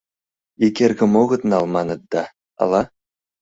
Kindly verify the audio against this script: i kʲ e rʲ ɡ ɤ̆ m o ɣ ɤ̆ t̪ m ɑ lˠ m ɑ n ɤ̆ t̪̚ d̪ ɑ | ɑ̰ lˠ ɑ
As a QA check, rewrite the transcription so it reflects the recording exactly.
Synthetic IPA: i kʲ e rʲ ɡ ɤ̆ m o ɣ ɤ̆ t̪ n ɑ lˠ m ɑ n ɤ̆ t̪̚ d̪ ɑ | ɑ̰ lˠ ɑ